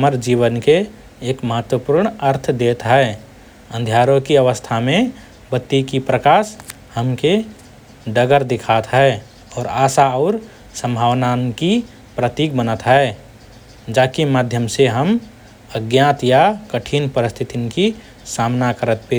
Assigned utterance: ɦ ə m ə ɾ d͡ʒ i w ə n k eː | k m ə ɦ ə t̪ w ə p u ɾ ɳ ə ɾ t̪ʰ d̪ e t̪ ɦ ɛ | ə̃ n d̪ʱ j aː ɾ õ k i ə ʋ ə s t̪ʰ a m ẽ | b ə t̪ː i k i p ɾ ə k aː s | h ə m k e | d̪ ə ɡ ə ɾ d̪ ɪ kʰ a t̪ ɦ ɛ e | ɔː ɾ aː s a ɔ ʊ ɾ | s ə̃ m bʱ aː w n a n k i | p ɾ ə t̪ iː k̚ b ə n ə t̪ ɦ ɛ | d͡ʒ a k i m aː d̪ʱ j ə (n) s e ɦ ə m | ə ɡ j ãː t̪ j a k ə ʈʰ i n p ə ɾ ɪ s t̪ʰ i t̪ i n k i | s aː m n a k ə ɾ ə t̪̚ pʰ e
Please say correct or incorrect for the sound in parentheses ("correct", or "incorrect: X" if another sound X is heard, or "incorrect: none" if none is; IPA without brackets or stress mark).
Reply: incorrect: m